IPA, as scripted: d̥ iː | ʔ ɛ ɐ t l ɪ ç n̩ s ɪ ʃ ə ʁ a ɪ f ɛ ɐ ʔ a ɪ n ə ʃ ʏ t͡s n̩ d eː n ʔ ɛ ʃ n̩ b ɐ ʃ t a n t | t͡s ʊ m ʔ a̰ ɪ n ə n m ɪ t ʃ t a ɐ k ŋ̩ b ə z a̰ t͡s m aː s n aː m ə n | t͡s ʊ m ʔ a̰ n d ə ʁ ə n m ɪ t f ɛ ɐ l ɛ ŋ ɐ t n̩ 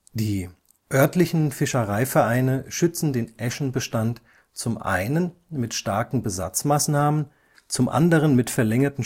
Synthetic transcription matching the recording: d̥ iː | ʔ œ ɐ t l ɪ ç n̩ f ɪ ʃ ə ʁ a ɪ f ɛ ɐ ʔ a ɪ n ə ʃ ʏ t͡s n̩ d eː n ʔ ɛ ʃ n̩ b ə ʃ t a n t | t͡s ʊ m ʔ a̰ ɪ n ə n m ɪ t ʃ t a ɐ k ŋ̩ b ə z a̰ t͡s m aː s n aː m ə n | t͡s ʊ m ʔ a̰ n d ə ʁ ə n m ɪ t f ɛ ɐ l ɛ ŋ ɐ t n̩

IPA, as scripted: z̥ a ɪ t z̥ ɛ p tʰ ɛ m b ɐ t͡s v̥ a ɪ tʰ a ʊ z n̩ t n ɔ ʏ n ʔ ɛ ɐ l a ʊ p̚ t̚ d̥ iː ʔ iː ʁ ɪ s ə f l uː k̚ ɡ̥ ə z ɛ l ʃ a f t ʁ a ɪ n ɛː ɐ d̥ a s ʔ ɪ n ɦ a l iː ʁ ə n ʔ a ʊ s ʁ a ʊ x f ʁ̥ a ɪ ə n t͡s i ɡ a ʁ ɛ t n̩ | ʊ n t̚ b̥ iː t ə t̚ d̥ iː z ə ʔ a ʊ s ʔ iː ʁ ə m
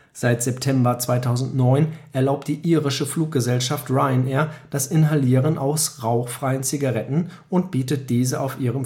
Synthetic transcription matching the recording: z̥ a ɪ t z̥ ɛ p tʰ ɛ m b ɐ t͡s v̥ a ɪ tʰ a ʊ z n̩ t n ɔ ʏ n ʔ ɛ ɐ l a ʊ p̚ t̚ d̥ iː ʔ iː ʁ ɪ ʃ ə f l uː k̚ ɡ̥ ə z ɛ l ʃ a f t ʁ a ɪ n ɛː ɐ d̥ a s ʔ ɪ n ɦ a l iː ʁ ə n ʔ a ʊ s ʁ a ʊ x f ʁ̥ a ɪ ə n t͡s i ɡ a ʁ ɛ t n̩ | ʊ n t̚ b̥ iː t ə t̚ d̥ iː z ə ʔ a ʊ f ʔ iː ʁ ə m

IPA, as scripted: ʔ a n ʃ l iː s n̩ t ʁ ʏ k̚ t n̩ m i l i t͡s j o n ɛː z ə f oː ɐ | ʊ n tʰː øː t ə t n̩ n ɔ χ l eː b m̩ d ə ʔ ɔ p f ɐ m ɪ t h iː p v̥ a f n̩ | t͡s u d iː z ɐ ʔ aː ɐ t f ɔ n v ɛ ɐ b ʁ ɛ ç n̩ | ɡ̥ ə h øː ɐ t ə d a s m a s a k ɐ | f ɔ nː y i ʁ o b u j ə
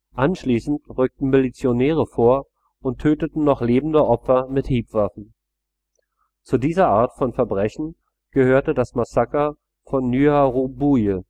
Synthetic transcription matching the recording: ʔ a n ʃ l iː s n̩ t ʁ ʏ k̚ t n̩ m i l i t͡s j o n ɛː ʁ ə f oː ɐ | ʊ n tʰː øː t ə t n̩ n ɔ χ l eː b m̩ d ə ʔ ɔ p f ɐ m ɪ t h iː p v̥ a f n̩ | t͡s u d iː z ɐ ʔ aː ɐ t f ɔ n f ɛ ɐ b ʁ ɛ ç n̩ | ɡ̥ ə h øː ɐ t ə d a s m a s a k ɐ | f ɔ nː y a ʁ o b u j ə

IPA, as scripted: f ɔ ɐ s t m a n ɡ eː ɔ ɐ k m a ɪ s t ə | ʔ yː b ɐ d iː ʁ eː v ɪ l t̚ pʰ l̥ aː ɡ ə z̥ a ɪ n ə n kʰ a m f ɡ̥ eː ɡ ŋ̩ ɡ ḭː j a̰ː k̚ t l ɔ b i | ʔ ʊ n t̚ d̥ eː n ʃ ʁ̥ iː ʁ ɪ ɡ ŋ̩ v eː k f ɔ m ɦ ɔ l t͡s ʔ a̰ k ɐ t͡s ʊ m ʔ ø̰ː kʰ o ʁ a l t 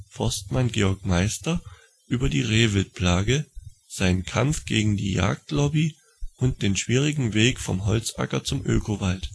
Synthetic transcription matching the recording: f ɔ ɐ s t m a n ɡ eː ɔ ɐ k m a ɪ s t ɐ | ʔ yː b ɐ d iː ʁ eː v ɪ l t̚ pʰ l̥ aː ɡ ə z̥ a ɪ n ə n kʰ a m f ɡ̥ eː ɡ ŋ̩ d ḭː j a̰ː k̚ t l ɔ b i | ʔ ʊ n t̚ d̥ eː n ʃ v̥ iː ʁ ɪ ɡ ŋ̩ v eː k f ɔ m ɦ ɔ l t͡s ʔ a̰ k ɐ t͡s ʊ m ʔ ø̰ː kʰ o v a l t

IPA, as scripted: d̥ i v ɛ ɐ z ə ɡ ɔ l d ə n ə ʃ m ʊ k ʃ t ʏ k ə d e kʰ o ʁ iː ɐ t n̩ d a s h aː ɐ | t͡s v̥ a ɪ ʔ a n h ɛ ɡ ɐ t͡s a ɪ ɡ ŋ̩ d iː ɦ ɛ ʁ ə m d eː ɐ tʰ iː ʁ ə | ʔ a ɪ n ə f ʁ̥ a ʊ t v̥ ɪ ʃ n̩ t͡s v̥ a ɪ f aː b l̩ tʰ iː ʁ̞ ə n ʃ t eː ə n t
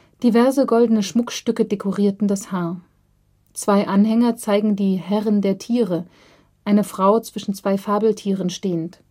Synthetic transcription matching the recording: d̥ i v ɛ ɐ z ə ɡ ɔ l d ə n ə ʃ m ʊ k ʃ t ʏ k ə d e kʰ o ʁ iː ɐ t n̩ d a s h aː ɐ | t͡s v̥ a ɪ ʔ a n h ɛ ŋ ɐ t͡s a ɪ ɡ ŋ̩ d iː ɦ ɛ ʁ ə n d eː ɐ tʰ iː ʁ ə | ʔ a ɪ n ə f ʁ̥ a ʊ t͡s v̥ ɪ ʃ n̩ t͡s v̥ a ɪ f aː b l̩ tʰ iː ʁ̞ ə n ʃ t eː ə n t

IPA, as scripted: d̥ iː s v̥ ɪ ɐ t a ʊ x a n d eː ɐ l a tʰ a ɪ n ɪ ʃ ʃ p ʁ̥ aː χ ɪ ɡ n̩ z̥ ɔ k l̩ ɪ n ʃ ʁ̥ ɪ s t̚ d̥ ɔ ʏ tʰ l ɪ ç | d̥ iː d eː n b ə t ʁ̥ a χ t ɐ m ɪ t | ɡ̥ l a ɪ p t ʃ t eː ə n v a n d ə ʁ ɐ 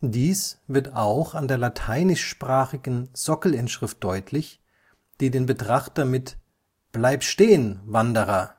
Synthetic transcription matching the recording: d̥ iː s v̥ ɪ ɐ t a ʊ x a n d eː ɐ l a tʰ a ɪ n ɪ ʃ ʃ p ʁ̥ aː χ ɪ ɡ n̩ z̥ ɔ k l̩ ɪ n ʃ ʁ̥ ɪ f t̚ d̥ ɔ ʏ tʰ l ɪ ç | d̥ iː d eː n b ə t ʁ̥ a χ t ɐ m ɪ t | b̥ l a ɪ p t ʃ t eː ə n v a n d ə ʁ ɐ

